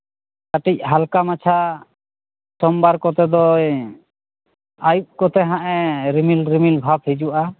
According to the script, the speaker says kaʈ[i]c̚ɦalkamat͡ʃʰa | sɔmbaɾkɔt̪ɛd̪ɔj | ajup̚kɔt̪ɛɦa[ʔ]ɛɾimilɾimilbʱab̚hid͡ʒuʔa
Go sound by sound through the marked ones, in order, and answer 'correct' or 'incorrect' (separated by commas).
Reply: correct, correct